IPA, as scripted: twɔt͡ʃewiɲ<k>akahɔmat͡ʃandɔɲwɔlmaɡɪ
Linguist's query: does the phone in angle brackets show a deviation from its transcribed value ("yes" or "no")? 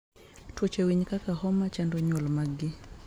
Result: no